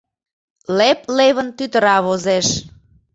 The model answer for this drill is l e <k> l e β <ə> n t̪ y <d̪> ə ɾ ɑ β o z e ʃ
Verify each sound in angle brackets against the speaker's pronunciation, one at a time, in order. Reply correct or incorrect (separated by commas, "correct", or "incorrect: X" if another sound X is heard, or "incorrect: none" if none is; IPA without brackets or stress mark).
incorrect: p, correct, incorrect: t̪